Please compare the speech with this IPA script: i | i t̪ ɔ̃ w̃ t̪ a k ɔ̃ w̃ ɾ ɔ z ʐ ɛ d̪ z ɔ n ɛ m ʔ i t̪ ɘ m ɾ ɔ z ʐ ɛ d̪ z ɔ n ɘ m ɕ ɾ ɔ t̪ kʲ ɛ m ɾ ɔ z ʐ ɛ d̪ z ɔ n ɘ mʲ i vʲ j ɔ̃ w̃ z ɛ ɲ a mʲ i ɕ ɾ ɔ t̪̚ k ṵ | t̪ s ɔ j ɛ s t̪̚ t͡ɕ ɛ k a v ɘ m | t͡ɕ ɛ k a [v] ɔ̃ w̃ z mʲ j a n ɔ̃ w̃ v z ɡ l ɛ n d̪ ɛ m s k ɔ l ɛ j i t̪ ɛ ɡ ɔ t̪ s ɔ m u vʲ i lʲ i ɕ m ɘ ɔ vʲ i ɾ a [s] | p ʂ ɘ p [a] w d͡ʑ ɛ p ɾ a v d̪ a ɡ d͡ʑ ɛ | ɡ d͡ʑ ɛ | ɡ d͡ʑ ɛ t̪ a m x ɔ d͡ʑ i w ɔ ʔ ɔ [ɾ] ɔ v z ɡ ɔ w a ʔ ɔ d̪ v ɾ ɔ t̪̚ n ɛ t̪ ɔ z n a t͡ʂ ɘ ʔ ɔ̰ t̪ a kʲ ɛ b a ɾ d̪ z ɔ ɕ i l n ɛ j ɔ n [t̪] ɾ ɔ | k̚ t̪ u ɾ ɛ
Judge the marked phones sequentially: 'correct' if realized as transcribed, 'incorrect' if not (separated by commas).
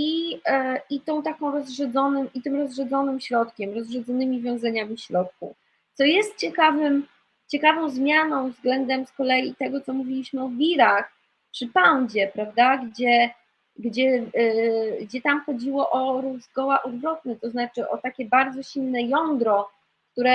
correct, incorrect, correct, correct, incorrect